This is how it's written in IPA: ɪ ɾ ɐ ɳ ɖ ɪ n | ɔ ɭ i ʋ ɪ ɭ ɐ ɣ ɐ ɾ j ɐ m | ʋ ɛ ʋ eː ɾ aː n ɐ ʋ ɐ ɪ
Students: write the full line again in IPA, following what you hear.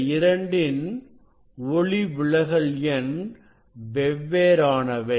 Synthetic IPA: ɪ ɾ ɐ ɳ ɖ ɪ n | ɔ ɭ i ʋ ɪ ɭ ɐ ɣ ɐ ɭ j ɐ n | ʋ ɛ ʋː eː ɾ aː n ɐ ʋ ɐ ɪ